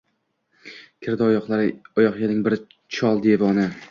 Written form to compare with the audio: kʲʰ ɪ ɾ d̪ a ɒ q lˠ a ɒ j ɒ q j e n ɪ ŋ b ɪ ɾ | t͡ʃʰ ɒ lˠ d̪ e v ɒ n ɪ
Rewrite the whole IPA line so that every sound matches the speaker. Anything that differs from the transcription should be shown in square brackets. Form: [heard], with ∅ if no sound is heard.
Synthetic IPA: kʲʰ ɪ ɾ d̪ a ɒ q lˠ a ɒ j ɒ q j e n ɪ ŋ b ɪ ɾ | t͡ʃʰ ɒ lˠ d̪ e v ɒ n ɪ